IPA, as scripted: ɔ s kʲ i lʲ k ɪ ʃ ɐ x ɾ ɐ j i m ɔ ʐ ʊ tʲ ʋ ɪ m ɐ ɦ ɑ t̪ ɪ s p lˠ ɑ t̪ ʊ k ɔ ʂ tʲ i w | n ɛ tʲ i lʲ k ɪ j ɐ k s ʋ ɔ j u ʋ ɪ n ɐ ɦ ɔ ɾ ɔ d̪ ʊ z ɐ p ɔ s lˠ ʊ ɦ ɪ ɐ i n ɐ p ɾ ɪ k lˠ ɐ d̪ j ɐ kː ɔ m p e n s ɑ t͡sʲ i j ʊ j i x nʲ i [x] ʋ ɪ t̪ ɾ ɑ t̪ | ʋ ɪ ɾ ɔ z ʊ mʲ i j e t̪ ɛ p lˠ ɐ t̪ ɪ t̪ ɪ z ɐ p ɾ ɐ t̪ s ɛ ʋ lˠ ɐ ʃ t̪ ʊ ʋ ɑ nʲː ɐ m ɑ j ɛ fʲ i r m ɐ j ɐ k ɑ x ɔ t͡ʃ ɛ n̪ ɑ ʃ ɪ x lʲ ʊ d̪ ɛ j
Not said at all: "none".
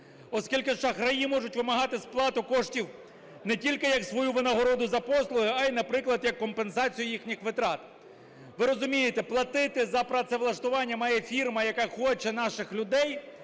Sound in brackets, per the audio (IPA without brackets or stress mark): x